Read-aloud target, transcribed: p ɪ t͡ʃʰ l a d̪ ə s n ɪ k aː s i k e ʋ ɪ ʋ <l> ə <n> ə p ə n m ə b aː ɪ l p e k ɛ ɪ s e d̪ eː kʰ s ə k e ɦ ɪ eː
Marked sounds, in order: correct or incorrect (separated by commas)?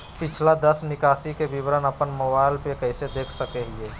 incorrect, correct